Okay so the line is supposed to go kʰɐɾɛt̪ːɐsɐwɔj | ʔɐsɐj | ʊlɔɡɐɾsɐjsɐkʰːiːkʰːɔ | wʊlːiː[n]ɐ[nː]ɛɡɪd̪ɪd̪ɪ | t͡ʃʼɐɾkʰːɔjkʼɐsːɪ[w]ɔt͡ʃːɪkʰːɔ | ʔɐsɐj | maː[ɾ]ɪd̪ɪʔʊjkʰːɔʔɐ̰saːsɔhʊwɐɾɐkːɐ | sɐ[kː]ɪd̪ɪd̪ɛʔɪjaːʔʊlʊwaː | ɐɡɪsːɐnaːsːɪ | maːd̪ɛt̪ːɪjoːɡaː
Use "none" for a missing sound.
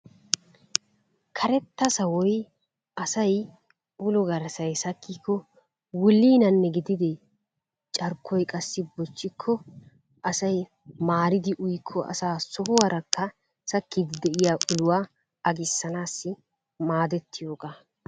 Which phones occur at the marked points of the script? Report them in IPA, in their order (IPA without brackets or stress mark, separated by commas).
n, nː, b, ɾ, kː